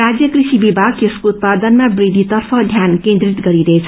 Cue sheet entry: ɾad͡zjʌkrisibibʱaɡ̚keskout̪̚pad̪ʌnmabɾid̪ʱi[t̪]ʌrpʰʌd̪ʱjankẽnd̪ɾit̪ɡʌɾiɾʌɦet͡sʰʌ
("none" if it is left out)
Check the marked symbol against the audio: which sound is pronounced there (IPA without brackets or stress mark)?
t̪